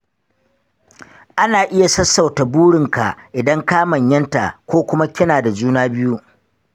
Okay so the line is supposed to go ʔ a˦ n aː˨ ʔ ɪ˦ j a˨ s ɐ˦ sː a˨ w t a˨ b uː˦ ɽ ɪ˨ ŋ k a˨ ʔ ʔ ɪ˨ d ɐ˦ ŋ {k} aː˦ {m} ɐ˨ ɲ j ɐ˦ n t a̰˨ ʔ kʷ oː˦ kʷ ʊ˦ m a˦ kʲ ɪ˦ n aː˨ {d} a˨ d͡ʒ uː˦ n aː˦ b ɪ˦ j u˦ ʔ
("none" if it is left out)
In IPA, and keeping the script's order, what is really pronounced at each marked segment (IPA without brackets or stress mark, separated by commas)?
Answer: k, m, d